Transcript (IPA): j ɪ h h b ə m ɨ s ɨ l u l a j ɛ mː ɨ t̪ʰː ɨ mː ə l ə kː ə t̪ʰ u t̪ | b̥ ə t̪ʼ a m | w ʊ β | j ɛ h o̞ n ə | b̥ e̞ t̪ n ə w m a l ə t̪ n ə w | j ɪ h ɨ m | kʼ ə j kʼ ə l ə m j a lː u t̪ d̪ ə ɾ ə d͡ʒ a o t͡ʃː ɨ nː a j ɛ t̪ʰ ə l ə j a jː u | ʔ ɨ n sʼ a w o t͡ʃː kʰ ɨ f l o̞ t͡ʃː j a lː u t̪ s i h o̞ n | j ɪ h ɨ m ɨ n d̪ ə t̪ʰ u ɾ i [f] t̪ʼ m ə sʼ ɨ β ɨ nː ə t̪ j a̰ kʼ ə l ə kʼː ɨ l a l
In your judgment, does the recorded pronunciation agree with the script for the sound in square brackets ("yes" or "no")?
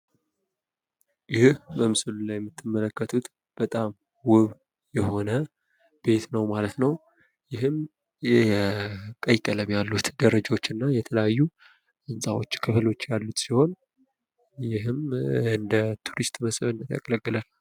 no